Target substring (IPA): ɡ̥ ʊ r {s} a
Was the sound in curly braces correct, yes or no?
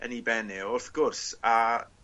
yes